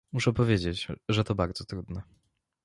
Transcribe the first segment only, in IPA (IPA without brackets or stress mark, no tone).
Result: m